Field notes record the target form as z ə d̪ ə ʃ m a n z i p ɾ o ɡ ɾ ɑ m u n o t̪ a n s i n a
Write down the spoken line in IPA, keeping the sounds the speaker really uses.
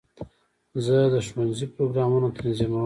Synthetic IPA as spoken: z ə d̪ ə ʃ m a n z i p ɾ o ɡ ɾ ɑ m u n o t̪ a n z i m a